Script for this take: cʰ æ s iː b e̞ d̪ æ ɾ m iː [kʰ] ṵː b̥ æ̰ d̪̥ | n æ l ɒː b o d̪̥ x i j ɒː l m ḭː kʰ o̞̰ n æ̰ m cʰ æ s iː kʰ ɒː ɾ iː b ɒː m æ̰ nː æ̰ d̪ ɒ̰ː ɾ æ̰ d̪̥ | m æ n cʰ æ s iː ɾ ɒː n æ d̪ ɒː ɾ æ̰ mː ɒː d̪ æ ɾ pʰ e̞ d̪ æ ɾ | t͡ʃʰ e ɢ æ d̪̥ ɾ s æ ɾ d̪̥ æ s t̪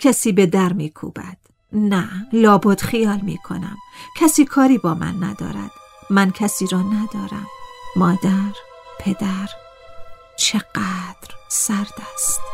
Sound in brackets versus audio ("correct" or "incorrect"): correct